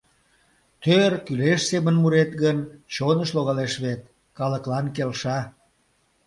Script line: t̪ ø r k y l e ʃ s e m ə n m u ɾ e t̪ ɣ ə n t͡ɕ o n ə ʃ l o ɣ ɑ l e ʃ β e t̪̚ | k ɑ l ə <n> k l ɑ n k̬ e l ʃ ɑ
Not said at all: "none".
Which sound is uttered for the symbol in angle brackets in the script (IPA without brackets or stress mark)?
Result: none